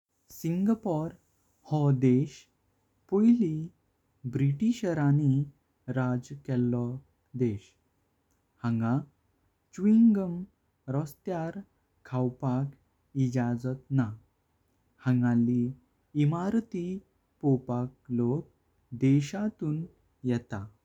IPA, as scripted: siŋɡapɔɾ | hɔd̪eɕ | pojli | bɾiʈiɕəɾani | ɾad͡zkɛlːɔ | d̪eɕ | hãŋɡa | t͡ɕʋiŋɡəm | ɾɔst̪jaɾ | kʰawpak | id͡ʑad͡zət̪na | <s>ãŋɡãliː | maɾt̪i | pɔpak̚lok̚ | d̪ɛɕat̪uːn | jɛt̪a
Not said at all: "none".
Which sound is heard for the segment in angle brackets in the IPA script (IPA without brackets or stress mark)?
h